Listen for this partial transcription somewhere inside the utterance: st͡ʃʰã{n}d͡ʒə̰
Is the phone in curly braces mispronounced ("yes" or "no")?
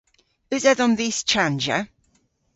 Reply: no